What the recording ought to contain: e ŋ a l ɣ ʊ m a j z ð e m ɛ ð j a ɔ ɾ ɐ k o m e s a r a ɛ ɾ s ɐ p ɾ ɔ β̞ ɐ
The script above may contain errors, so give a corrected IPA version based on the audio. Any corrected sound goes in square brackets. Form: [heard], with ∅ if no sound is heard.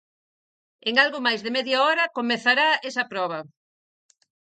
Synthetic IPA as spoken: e ŋ a l ɣ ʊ m a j z ð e m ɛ ð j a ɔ ɾ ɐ k o m e [θ] a [ɾ] a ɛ [∅] s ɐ p ɾ ɔ β̞ ɐ